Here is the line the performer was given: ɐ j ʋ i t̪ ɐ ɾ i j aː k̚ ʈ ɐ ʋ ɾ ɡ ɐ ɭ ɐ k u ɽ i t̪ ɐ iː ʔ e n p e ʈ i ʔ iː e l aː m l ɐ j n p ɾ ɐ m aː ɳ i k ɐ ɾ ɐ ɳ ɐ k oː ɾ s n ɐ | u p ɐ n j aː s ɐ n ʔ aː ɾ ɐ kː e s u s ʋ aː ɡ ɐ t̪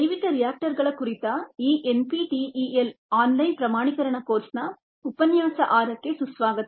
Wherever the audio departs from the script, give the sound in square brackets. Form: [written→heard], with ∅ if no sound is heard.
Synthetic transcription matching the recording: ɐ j ʋ i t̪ ɐ ɾ i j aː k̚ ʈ ɐ [ʋ→∅] ɾ ɡ ɐ ɭ ɐ k u [ɽ→ɾ] i t̪ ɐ iː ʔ e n p [e→i] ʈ i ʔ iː e l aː [m→n] l ɐ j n p ɾ ɐ m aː ɳ i k ɐ ɾ ɐ ɳ ɐ k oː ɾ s n ɐ | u p ɐ n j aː s ɐ [n→∅] ʔ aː ɾ ɐ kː e s u s ʋ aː ɡ ɐ t̪